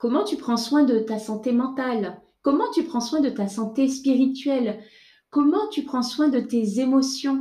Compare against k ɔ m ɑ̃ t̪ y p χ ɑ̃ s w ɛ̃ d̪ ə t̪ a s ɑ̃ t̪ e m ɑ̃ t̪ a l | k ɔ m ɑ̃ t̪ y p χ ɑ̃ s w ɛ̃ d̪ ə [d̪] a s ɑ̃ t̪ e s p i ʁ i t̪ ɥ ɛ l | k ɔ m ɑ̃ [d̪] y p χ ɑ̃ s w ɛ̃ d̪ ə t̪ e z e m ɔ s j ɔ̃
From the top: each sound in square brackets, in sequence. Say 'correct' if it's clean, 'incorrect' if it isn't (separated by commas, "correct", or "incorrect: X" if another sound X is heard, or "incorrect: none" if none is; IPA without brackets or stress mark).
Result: incorrect: t̪, incorrect: t̪